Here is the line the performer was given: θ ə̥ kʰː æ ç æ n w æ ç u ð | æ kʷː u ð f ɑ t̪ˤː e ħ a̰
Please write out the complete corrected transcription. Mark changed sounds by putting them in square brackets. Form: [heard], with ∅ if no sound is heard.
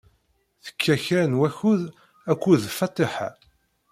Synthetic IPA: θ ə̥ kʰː æ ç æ n w æ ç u ð | æ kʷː u ð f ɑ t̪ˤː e ħ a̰